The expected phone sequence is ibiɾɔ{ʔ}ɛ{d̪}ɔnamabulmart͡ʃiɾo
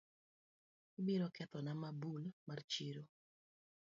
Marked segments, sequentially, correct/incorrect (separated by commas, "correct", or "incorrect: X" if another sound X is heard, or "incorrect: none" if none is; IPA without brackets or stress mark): incorrect: k, incorrect: t̪